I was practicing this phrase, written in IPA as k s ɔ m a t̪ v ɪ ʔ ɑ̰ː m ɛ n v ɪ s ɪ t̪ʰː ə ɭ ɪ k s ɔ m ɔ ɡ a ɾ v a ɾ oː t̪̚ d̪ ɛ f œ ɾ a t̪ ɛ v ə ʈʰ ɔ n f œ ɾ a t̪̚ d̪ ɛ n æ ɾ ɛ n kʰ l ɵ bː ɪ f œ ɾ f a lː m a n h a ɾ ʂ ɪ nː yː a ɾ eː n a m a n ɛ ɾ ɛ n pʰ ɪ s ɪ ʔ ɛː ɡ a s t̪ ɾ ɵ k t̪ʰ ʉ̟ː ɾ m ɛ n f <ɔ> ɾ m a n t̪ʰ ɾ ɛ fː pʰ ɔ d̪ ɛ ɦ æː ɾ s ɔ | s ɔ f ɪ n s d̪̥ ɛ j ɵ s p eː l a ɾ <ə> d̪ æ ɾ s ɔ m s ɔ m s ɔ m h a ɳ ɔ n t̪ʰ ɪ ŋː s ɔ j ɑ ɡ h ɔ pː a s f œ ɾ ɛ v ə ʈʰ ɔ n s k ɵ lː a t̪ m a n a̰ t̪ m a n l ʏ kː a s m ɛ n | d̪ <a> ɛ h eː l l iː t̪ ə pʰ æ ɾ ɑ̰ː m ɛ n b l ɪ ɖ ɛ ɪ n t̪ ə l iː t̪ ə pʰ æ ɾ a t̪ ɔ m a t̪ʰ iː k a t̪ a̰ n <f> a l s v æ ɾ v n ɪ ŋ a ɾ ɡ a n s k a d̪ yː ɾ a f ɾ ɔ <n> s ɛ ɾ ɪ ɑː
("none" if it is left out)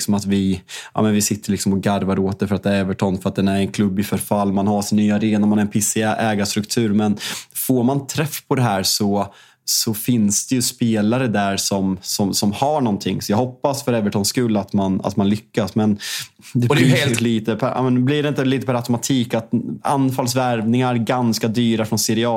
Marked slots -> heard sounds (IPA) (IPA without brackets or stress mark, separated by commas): o, ə, ɛ, f, n